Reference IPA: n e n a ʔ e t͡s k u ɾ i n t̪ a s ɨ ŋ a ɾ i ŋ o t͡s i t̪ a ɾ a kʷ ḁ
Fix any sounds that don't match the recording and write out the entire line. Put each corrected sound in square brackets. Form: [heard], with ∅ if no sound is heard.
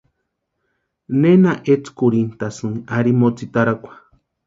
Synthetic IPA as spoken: n e n a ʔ e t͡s k u ɾ i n t̪ a s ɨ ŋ a ɾ i [m] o t͡s i t̪ a ɾ a kʷ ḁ